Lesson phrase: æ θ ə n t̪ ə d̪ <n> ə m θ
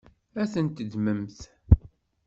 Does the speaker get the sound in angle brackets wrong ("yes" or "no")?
yes